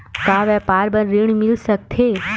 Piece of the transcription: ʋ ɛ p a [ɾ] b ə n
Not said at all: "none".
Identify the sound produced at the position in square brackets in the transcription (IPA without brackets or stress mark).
ɾ